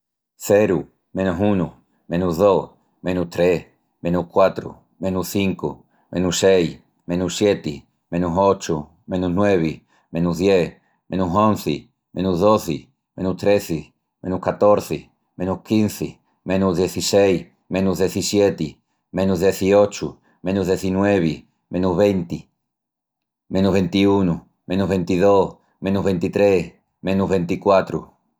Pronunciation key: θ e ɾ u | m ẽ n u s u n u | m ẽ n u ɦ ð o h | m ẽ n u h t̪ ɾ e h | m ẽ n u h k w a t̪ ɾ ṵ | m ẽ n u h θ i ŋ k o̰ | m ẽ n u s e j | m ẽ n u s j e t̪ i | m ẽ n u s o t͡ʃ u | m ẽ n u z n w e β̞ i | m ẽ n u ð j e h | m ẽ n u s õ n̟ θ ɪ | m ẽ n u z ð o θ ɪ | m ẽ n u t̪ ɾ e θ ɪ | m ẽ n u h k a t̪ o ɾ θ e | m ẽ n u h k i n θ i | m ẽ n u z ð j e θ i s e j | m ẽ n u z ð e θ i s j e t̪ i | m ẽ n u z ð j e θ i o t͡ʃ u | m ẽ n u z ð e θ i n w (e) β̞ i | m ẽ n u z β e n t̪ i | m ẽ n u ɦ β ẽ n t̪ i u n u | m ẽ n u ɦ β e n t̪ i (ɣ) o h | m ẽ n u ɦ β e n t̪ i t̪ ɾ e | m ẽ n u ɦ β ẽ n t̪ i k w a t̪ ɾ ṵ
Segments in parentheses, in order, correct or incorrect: correct, incorrect

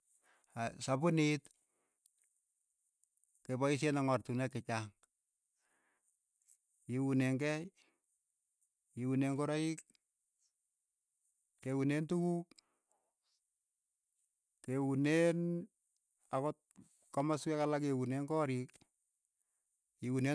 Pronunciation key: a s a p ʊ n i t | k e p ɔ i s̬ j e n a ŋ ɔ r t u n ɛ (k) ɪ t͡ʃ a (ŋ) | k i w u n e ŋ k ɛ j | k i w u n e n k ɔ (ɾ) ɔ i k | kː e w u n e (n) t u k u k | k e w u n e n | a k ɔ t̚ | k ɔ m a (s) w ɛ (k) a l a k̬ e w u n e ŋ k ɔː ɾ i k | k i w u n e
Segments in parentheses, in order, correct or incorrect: correct, correct, correct, correct, correct, correct

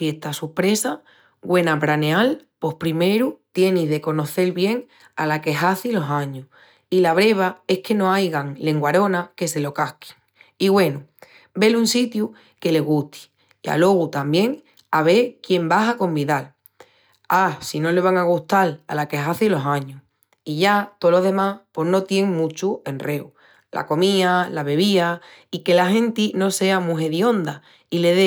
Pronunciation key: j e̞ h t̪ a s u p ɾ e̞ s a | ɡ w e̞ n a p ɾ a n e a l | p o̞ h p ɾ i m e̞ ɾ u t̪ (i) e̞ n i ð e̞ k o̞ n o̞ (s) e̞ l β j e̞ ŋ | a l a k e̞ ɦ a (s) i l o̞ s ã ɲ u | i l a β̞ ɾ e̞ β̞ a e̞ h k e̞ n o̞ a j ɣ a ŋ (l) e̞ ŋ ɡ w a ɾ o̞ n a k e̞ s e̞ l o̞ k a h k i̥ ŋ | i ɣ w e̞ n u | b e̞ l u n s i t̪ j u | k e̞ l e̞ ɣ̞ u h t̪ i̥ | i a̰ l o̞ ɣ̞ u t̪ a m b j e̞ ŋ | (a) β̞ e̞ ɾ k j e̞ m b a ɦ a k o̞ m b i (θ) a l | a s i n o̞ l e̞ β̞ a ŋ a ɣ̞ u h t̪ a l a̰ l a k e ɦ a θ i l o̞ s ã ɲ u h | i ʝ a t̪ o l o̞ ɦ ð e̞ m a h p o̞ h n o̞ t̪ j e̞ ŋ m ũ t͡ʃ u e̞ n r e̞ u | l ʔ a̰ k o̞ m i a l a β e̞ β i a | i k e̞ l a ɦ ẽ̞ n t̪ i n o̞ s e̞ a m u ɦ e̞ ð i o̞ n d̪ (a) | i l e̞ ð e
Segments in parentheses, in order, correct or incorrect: incorrect, incorrect, incorrect, correct, correct, incorrect, correct

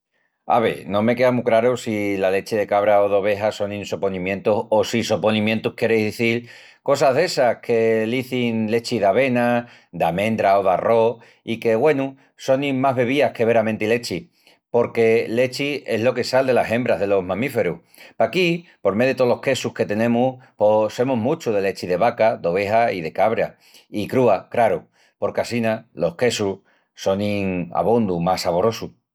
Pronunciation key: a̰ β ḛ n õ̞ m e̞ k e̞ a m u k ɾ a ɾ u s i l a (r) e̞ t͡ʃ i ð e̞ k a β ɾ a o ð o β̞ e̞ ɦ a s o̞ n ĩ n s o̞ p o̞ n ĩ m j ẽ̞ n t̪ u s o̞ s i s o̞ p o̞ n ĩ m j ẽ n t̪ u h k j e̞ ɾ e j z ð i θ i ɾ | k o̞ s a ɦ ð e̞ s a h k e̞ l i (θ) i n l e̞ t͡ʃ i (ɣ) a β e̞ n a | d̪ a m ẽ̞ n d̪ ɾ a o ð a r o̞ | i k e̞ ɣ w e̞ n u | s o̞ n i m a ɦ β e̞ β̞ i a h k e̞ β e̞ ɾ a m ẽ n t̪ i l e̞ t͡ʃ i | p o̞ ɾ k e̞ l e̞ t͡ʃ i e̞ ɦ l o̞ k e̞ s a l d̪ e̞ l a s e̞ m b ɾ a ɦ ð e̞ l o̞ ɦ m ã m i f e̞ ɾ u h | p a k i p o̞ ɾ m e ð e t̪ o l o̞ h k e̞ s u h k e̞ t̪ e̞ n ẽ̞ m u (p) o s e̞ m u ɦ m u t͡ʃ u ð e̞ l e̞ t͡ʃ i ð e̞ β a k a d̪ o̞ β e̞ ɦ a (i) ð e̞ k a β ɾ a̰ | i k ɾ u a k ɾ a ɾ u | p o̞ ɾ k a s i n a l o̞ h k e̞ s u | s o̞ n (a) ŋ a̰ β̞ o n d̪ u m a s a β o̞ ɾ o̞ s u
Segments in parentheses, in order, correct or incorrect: incorrect, correct, incorrect, correct, correct, incorrect

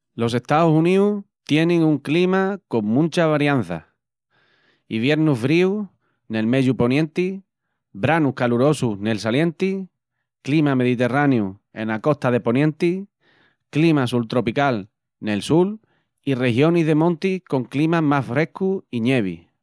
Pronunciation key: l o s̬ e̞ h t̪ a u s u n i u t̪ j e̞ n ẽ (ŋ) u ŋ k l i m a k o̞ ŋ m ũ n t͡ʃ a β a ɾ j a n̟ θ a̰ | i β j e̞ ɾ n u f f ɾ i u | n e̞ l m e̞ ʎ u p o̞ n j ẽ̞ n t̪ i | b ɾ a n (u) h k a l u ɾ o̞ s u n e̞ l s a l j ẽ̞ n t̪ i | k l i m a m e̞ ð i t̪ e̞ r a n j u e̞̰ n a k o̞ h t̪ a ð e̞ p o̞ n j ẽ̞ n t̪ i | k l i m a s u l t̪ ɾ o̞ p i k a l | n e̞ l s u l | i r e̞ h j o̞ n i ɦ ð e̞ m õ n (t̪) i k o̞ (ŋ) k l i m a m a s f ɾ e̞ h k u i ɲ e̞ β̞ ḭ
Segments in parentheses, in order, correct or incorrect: correct, correct, correct, correct

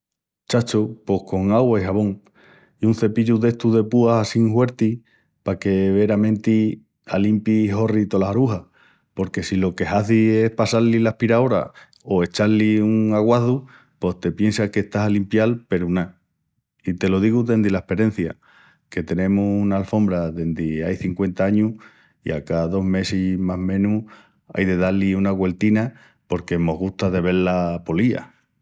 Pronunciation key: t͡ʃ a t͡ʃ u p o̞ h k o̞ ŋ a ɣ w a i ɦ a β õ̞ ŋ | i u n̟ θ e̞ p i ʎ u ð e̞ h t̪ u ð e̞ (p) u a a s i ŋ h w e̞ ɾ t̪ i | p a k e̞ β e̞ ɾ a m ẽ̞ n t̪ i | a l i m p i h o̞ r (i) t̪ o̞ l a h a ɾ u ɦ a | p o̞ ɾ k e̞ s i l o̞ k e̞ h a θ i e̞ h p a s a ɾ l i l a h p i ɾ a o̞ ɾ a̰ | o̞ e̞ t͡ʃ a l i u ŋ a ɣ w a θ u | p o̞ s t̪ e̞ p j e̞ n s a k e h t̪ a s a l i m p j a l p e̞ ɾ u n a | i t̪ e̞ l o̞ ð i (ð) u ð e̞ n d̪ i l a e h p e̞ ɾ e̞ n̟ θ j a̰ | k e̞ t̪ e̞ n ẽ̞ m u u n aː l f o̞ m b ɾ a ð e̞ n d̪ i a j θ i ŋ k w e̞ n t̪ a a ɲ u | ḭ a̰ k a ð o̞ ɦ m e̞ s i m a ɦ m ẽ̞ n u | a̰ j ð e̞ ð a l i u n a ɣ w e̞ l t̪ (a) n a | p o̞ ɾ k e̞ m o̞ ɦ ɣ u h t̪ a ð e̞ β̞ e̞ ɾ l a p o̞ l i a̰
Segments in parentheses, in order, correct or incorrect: correct, correct, incorrect, incorrect

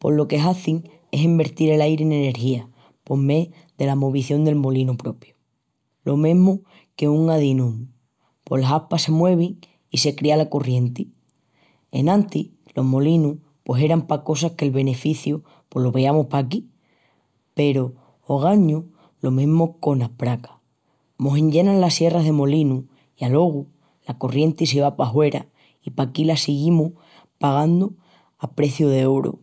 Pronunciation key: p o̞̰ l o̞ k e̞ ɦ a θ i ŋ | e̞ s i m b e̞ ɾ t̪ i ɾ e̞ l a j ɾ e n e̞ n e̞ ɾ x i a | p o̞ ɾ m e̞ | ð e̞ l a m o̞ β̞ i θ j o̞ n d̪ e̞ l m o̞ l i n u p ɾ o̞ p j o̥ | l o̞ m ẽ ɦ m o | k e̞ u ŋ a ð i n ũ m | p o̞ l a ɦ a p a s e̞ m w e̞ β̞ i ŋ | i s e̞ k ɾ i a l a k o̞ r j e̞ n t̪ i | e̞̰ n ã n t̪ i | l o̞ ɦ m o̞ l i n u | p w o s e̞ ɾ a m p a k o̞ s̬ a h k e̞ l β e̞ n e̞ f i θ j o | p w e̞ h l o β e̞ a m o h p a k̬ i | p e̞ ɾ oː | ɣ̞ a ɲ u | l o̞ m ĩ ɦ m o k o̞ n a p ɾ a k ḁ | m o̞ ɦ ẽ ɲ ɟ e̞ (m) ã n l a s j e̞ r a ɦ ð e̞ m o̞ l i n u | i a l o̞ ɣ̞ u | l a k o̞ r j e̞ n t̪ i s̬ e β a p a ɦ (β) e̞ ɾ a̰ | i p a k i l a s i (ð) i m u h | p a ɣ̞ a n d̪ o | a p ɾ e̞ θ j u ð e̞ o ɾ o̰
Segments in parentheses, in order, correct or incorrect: incorrect, incorrect, incorrect

